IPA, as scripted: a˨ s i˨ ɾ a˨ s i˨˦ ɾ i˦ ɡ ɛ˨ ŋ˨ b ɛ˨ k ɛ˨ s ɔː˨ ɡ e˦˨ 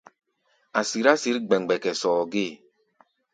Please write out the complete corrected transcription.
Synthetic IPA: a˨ s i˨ ɾ a˦ s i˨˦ ɾ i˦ ɡ͡b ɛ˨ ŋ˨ ɡ͡b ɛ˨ k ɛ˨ s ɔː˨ ɡ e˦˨